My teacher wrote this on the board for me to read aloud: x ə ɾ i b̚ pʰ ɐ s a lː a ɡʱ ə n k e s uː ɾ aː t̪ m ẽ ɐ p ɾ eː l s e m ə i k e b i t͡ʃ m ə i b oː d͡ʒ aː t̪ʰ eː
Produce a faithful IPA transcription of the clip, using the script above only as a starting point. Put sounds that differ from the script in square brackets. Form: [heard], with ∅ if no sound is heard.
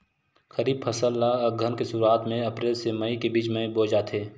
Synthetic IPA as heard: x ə ɾ [iː] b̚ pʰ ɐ s [ə] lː a ɡʱ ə n k e s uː ɾ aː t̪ m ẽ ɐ p ɾ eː l s e m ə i k e b [iː] t͡ʃ m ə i b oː d͡ʒ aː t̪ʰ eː